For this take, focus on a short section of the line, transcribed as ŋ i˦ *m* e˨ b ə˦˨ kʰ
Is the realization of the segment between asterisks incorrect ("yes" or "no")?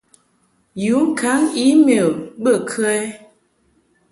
no